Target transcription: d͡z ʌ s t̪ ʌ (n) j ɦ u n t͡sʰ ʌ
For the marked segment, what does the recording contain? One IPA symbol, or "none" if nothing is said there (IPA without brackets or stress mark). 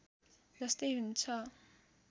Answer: none